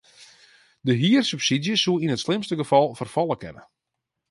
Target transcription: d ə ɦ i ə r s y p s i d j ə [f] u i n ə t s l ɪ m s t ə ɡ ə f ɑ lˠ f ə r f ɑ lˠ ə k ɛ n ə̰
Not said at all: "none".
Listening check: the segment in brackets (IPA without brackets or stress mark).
s